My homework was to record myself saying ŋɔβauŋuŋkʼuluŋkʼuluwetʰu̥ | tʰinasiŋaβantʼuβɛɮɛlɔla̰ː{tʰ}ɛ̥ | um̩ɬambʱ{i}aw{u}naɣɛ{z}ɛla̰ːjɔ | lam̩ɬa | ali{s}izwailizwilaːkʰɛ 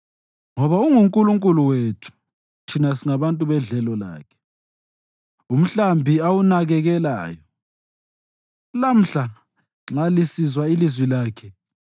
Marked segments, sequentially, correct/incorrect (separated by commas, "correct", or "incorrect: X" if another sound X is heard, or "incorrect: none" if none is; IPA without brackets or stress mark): incorrect: kʰ, correct, correct, incorrect: ɣ, correct